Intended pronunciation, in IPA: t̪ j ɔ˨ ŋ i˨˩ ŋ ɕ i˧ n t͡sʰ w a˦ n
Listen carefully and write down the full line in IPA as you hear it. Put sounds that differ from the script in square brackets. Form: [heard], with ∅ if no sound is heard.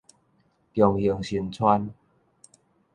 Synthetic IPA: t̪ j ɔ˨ ŋ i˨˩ ŋ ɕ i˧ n t͡sʰ w a˦ n